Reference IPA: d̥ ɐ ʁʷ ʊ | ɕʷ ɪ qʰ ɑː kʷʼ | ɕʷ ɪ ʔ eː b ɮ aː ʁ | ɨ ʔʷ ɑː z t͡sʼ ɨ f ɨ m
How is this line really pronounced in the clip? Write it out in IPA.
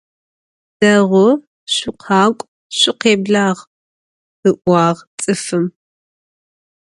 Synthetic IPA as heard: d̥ ɐ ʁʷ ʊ | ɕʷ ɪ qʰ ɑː kʷʼ | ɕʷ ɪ q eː b ɮ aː ʁ | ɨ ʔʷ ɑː ʁ t͡sʼ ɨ f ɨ m